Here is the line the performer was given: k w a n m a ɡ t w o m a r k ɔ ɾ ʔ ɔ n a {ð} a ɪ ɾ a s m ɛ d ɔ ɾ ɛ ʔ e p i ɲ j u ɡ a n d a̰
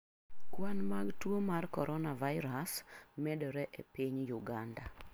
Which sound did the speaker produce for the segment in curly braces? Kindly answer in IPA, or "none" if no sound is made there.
v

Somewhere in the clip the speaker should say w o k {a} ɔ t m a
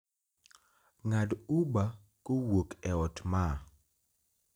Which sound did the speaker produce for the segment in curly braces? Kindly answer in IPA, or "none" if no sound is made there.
ɛ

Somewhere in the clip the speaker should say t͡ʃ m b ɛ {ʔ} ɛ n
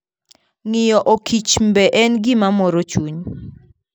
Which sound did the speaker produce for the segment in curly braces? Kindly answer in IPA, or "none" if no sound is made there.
ʔ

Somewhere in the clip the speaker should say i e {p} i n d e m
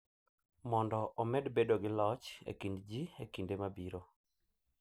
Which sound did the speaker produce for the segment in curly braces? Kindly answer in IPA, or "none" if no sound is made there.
k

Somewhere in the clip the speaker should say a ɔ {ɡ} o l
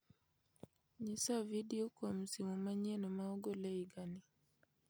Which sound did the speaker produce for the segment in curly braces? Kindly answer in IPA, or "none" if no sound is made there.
ɡ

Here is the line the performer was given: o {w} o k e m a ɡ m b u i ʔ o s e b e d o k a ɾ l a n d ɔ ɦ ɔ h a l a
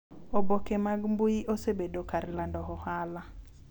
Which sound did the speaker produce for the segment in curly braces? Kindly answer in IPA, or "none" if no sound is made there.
b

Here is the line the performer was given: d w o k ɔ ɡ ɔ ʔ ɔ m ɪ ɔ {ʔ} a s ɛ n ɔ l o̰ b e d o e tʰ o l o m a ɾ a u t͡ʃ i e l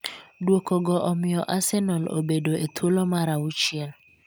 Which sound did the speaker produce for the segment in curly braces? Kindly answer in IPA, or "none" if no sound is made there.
ʔ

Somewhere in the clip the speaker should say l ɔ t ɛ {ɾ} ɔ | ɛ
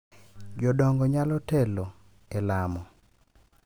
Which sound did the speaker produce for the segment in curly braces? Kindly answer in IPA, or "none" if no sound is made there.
l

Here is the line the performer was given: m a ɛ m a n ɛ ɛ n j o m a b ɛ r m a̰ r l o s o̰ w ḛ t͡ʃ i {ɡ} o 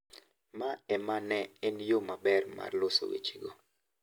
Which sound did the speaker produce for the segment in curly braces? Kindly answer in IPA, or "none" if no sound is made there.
ɡ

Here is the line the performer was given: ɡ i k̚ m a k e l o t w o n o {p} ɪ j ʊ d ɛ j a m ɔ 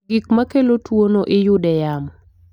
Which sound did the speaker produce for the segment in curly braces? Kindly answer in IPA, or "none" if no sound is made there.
ʔ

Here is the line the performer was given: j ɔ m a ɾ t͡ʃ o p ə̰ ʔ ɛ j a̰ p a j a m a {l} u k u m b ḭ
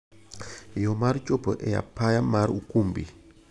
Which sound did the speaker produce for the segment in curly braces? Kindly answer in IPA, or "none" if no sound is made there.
ɾ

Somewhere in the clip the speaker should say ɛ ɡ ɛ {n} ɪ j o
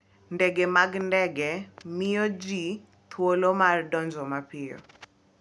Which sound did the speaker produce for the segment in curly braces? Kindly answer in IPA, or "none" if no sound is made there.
m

